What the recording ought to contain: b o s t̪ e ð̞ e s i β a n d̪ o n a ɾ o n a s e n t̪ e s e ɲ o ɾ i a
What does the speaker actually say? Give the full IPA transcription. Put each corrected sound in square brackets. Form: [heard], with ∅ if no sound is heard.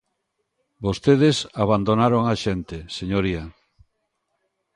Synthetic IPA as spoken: b o s t̪ e ð̞ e s [a] β a n d̪ o n a ɾ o [ŋ] a [ʃ] e n t̪ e s e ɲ o ɾ i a